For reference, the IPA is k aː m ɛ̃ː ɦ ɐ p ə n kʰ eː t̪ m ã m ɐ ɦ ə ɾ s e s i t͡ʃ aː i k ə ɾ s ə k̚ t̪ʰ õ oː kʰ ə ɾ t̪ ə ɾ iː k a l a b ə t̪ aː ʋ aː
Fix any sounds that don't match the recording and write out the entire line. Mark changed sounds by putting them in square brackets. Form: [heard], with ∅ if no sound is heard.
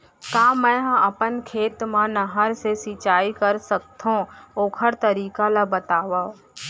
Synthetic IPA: k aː m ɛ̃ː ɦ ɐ p ə n kʰ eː t̪ m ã [n] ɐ ɦ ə ɾ s e s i t͡ʃ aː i k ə ɾ s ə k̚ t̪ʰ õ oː kʰ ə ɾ t̪ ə ɾ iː k a l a b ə t̪ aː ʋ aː